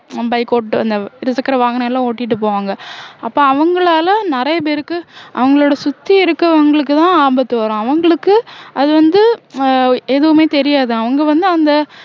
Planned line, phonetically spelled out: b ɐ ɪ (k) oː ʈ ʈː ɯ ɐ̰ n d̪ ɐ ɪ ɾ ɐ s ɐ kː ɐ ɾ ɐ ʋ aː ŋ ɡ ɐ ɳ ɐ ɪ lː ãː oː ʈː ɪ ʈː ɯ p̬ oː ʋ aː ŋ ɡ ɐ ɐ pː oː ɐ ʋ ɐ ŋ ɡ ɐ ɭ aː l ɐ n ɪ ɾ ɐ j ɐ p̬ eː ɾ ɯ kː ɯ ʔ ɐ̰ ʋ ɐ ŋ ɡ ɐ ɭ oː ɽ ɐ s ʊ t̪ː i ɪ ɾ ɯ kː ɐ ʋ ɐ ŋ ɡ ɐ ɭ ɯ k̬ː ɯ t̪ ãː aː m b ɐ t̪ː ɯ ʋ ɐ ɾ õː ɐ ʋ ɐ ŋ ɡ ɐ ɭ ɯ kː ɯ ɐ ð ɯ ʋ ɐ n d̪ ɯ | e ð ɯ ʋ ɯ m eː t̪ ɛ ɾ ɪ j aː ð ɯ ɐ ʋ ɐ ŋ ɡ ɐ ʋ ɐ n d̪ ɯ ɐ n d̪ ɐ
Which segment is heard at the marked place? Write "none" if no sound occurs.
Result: k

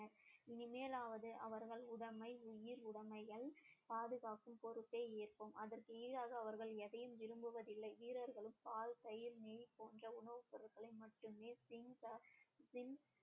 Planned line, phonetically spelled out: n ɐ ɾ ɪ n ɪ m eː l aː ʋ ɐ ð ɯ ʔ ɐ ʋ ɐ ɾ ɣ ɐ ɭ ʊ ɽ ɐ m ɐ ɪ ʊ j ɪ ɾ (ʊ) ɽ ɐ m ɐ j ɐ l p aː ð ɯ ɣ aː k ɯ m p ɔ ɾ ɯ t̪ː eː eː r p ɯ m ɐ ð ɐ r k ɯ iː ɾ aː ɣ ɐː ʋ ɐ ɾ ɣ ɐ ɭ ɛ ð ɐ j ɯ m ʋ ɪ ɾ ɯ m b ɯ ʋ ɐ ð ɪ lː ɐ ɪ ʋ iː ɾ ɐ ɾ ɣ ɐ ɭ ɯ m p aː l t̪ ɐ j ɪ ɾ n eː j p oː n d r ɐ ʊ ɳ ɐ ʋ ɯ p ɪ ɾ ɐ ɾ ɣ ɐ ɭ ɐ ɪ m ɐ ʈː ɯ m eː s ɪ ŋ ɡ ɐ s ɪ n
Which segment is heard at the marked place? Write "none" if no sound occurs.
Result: ʊ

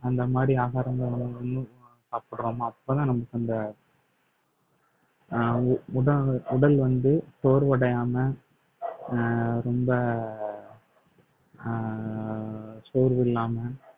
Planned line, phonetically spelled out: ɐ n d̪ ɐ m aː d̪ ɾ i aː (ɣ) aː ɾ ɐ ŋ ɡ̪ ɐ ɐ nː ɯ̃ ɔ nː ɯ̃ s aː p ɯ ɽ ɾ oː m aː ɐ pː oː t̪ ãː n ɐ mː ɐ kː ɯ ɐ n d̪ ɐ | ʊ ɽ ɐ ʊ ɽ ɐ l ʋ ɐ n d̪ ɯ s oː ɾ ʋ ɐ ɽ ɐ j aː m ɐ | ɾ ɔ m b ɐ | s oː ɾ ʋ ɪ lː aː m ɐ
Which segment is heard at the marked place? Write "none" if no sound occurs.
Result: ɣ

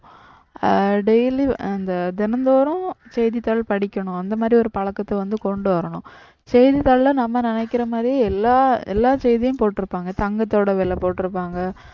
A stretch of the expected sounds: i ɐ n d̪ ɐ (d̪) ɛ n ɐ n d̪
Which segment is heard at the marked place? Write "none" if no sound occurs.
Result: d̪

